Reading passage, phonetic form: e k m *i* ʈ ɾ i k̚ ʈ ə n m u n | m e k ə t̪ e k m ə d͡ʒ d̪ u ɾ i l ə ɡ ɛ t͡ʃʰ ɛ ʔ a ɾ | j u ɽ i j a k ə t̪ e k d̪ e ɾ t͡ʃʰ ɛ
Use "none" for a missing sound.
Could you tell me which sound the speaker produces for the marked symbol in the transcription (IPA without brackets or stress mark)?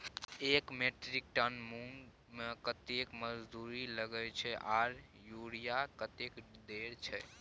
e